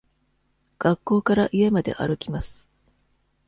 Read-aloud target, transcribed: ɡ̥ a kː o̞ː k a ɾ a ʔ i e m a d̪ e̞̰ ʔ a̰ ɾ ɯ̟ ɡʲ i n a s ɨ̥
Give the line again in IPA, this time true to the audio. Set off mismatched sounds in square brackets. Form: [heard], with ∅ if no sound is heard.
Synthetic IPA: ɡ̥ a kː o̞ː k a ɾ a ʔ i e m a d̪ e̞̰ ʔ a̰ ɾ ɯ̟ [kʲ] i [m] a s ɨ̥